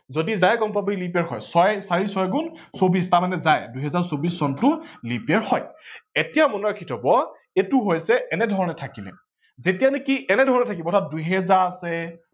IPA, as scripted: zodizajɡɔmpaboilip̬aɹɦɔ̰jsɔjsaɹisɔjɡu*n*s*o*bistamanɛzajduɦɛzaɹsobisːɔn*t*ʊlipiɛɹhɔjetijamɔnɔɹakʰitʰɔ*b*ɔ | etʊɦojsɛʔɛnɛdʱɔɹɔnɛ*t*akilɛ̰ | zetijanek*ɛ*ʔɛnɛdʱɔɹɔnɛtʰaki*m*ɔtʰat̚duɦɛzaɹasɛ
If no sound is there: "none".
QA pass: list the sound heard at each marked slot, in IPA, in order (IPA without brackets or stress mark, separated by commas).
n, o, t, b, tʰ, i, b